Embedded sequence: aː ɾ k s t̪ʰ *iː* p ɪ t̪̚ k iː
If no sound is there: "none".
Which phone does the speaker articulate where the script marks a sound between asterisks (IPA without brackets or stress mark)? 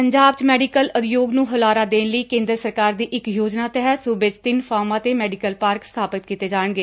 aː